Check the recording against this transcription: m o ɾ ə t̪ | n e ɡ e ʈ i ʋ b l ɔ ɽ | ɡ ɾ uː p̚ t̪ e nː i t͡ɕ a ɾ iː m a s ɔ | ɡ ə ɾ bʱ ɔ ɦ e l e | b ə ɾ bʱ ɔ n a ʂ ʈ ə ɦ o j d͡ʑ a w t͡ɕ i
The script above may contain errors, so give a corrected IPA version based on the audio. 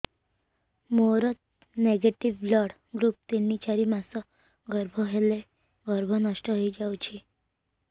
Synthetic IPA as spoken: m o ɾ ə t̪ | n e ɡ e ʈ i ʋ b l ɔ ɽ | ɡ ɾ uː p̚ t̪ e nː i t͡ɕ a ɾ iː m a s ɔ | ɡ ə ɾ bʱ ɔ ɦ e l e | ɡ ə ɾ bʱ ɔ n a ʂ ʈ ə ɦ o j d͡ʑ a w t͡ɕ i